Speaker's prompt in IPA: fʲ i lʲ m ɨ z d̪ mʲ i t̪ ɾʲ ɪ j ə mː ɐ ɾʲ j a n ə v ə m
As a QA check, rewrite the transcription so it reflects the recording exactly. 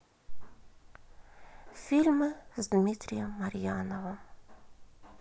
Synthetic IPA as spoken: fʲ i lʲ m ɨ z d̪ mʲ i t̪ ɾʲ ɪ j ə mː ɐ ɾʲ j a n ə v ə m